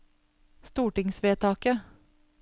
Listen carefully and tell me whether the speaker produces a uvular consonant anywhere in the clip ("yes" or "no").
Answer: no